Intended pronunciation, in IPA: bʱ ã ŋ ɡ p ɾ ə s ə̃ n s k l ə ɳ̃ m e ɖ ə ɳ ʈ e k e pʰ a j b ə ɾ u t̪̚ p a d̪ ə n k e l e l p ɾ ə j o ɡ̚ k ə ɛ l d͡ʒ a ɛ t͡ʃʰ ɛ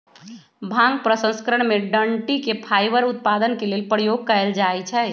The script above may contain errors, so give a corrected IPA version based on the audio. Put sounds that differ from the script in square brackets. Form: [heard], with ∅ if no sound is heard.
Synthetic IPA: bʱ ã ŋ ɡ p ɾ ə s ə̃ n s k [ɾ] ə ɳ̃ m e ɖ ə ɳ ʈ [i] k e pʰ a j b ə ɾ u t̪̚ p a d̪ ə n k e l e l p ɾ ə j o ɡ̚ k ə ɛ l d͡ʒ a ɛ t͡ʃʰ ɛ